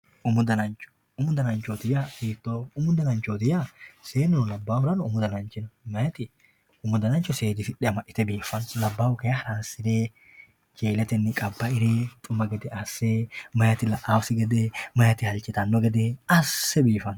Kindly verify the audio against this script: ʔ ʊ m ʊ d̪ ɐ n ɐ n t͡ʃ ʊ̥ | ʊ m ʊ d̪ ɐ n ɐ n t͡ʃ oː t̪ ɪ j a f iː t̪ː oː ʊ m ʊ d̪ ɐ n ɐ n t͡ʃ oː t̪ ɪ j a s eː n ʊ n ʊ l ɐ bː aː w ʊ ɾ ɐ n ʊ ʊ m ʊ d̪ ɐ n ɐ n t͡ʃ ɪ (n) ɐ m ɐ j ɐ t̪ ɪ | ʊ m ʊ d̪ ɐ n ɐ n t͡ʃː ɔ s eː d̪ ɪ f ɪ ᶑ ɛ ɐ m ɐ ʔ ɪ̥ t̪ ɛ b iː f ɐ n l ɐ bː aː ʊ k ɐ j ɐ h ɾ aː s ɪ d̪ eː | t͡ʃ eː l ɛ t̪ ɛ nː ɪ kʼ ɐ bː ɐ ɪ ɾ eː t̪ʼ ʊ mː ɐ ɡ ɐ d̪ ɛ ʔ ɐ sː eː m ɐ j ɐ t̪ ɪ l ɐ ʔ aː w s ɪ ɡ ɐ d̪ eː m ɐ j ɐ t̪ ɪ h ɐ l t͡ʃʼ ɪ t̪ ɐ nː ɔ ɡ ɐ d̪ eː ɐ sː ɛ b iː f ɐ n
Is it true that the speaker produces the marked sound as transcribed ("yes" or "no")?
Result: yes